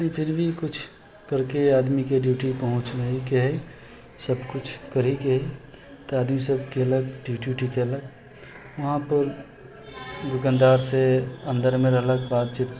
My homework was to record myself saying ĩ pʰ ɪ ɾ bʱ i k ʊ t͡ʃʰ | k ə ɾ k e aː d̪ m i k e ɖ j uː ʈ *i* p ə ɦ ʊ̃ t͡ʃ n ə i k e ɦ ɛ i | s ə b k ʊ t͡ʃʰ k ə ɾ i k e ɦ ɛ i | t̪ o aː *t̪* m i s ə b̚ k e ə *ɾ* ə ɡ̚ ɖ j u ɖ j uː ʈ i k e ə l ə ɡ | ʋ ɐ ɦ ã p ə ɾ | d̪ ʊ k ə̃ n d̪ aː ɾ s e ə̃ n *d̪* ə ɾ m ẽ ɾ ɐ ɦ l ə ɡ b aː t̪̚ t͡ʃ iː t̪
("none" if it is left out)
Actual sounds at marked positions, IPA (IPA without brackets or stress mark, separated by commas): i, d̪, l, d̪